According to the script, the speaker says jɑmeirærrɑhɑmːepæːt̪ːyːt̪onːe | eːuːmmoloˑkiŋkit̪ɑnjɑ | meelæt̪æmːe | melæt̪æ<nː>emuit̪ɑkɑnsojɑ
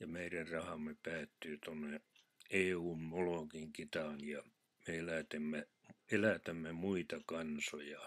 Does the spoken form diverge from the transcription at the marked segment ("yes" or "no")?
yes